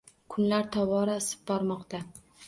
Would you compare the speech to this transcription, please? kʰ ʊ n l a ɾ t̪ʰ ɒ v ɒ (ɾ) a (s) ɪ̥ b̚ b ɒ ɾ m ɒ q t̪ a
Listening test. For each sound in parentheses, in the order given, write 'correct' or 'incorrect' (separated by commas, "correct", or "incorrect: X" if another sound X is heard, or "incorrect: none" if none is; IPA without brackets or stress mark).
correct, correct